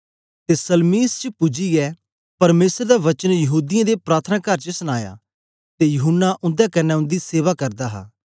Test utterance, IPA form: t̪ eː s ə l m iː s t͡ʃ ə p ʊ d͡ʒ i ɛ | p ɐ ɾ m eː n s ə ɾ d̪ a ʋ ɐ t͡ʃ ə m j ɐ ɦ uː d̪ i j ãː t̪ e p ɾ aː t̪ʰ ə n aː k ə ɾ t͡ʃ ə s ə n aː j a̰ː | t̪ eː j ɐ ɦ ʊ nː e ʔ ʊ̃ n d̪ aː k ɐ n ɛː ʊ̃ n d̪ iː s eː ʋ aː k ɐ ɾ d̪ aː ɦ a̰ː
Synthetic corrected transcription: t̪ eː s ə l m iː s t͡ʃ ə p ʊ d͡ʒ i ɛ | p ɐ ɾ m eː s ə ɾ d̪ a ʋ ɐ t͡ʃ ə n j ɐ ɦ uː d̪ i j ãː d̪ e p ɾ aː t̪ʰ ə n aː k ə ɾ t͡ʃ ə s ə n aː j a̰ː | t̪ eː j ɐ ɦ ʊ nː a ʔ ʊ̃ n d̪ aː k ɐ n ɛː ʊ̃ n d̪ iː s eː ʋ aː k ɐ ɾ d̪ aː ɦ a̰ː